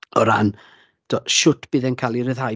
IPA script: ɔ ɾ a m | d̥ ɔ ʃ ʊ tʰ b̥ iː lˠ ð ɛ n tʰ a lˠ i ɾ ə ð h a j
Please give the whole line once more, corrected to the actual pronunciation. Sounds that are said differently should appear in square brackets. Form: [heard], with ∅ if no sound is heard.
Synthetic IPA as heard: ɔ ɾ a [n] | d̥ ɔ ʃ ʊ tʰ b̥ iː [∅] ð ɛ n [kʰ] a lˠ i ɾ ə ð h a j